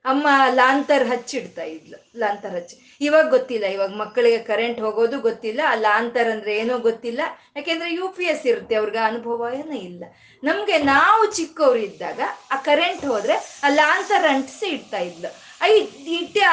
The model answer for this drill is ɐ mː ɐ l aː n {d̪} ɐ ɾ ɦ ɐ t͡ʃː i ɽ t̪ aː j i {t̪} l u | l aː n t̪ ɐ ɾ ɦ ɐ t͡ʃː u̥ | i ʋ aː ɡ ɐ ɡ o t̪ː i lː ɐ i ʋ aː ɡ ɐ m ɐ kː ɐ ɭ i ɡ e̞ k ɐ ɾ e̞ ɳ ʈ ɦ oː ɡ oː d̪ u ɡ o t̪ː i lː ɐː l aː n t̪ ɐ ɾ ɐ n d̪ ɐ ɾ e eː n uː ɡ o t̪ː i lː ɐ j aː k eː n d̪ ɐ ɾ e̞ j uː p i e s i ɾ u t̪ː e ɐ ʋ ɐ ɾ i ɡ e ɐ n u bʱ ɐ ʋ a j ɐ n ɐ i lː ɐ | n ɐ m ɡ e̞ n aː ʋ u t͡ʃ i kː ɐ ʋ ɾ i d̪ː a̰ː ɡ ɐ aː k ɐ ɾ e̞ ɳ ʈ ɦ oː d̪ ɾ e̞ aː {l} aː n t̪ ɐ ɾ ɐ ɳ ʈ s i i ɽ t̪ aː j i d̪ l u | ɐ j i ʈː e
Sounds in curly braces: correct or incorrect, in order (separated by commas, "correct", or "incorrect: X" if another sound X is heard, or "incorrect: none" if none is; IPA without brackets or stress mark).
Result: incorrect: t̪, incorrect: d̪, correct